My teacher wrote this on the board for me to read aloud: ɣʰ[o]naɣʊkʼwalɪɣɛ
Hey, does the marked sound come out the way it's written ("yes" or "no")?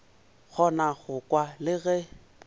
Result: no